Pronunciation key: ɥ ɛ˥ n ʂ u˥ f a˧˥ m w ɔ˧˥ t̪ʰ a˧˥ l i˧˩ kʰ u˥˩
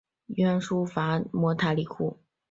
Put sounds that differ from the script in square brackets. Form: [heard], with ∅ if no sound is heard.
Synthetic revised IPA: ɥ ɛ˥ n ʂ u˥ f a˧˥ m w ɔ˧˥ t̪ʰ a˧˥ l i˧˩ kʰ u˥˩